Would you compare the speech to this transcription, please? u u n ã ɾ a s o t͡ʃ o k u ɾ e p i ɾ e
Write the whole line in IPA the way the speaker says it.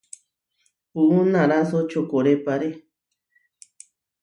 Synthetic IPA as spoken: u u n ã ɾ a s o t͡ʃ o k o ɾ e p a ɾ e